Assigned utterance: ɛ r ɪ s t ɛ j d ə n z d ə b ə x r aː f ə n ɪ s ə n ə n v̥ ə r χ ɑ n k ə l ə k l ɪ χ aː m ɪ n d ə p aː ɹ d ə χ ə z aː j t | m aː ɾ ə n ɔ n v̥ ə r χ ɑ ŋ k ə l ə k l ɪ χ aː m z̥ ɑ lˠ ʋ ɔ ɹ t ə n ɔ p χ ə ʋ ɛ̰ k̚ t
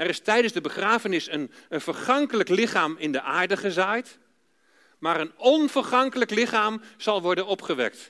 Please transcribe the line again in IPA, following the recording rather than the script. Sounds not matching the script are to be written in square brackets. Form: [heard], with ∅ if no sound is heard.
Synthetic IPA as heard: ɛ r ɪ s t ɛ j d ə n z d ə b ə [χ] r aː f ə n ɪ s ə n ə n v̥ ə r χ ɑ [ŋ] k ə l ə k l ɪ χ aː m ɪ n d ə [ʔ] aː ɹ d ə χ ə z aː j t | m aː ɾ ə n ɔ n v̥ ə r χ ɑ ŋ k ə l ə k l ɪ χ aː m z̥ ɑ lˠ ʋ ɔ ɹ [d] ə n ɔ p χ ə ʋ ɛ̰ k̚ t